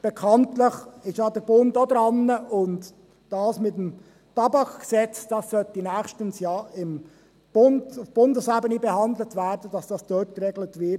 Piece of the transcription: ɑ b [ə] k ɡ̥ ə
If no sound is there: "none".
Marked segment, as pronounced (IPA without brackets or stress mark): ɑ